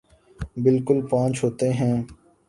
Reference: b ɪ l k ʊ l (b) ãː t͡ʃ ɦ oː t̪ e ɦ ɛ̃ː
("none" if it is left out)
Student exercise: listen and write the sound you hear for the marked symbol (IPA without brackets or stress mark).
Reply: p